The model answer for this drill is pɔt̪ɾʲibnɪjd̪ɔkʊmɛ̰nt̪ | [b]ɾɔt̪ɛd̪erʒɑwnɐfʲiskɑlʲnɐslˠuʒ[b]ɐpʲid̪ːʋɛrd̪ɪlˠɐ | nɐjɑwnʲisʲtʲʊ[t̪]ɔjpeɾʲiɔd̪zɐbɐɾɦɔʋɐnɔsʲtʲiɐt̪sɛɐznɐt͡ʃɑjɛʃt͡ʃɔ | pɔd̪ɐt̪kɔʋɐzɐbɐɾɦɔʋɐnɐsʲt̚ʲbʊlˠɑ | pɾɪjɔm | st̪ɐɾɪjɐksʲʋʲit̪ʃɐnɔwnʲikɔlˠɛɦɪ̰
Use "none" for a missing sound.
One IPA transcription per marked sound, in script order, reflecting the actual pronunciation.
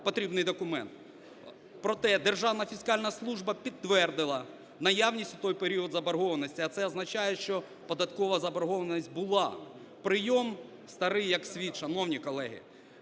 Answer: p, b, t̪

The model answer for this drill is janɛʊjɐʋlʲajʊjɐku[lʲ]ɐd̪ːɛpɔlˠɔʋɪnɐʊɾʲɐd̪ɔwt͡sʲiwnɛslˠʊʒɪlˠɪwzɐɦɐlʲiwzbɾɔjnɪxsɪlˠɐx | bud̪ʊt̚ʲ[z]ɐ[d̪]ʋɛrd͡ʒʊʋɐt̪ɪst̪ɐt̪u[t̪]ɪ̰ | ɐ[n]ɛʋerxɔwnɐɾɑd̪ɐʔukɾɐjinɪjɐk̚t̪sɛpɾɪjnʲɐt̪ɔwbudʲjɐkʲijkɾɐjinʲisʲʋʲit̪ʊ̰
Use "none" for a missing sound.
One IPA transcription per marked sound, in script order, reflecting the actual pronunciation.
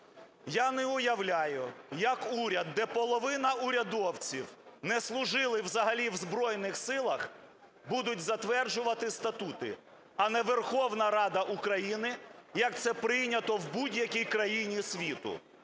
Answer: ɾʲ, z, t̪, t̪, n

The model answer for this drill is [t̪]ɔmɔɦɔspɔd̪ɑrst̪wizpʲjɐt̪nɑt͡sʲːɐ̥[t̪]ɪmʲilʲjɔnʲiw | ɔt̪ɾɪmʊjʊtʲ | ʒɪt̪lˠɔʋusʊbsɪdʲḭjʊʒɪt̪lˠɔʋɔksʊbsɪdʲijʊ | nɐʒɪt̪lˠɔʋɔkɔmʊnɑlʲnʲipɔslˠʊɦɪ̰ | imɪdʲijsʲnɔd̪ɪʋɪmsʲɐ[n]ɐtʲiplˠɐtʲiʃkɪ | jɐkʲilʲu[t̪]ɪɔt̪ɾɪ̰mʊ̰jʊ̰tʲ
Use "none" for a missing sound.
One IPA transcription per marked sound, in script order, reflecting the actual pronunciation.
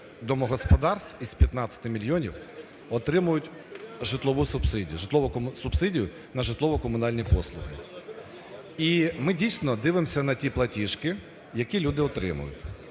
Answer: d̪, t̪, n, d̪

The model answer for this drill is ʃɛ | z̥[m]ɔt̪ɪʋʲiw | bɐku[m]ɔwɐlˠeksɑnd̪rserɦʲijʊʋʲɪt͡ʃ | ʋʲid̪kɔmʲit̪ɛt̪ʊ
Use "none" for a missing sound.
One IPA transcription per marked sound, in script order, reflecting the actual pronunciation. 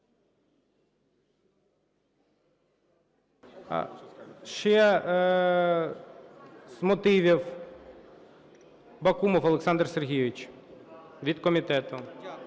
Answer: m, m

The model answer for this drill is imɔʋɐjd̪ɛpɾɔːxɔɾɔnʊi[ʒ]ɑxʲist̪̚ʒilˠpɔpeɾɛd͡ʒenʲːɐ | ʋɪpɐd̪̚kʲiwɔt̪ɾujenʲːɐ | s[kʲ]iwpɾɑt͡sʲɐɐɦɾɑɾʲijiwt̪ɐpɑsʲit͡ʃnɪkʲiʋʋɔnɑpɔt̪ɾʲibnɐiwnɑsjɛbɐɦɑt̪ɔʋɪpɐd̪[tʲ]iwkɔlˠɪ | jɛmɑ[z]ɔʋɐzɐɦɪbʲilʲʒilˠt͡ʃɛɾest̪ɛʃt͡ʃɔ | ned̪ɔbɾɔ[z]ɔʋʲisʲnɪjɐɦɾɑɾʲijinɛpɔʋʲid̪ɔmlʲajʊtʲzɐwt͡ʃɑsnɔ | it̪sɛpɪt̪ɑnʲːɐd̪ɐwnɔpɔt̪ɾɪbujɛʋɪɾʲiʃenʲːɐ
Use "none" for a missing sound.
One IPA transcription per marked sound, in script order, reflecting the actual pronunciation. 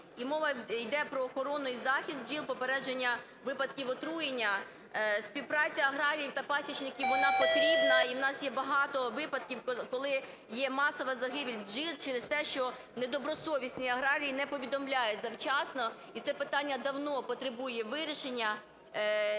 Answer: z, pʲ, kʲ, s, s

